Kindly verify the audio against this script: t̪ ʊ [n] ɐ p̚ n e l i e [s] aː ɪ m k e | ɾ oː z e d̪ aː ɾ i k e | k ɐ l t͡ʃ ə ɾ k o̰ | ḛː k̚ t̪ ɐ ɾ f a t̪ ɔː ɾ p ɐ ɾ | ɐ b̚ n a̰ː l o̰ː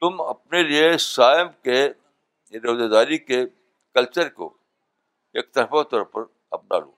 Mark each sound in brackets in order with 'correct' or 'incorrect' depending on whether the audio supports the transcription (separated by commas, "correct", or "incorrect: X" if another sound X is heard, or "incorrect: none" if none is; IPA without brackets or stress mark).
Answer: incorrect: m, correct